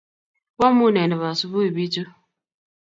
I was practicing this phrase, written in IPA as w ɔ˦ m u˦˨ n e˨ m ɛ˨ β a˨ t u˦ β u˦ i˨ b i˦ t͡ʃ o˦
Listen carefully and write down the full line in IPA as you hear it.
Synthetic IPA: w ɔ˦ m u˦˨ n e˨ n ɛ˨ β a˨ s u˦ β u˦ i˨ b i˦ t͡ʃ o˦